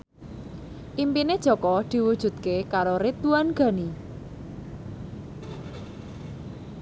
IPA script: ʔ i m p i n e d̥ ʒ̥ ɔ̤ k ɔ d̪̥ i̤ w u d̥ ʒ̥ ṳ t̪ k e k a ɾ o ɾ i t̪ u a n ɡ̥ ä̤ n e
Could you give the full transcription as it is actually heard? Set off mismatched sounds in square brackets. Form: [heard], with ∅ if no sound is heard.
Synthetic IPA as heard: ʔ i m p i n e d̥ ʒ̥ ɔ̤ k ɔ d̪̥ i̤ w u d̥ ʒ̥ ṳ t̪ k e k a ɾ o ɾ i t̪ u a n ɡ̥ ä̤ n [i]